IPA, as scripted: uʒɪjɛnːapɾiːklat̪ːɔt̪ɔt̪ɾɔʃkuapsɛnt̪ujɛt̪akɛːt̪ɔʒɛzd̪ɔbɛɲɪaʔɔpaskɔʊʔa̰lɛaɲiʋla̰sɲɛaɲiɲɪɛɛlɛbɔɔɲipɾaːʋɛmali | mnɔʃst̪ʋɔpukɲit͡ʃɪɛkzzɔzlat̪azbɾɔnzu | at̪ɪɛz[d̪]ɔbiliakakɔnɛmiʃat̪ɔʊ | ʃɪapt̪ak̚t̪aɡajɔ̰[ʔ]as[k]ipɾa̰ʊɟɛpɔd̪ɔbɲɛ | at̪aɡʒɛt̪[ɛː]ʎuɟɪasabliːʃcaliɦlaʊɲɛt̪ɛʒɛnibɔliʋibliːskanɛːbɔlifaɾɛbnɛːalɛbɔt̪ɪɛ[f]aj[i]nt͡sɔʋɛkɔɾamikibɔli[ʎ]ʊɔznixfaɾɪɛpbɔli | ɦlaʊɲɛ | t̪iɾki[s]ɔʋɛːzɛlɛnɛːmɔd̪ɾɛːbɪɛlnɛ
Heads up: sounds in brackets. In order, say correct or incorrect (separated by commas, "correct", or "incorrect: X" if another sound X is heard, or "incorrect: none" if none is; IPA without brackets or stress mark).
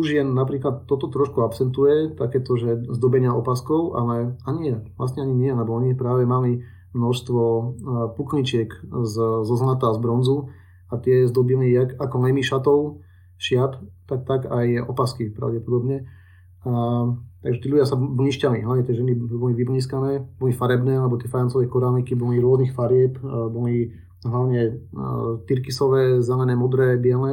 correct, incorrect: p, correct, incorrect: iː, correct, incorrect: a, incorrect: ɾ, correct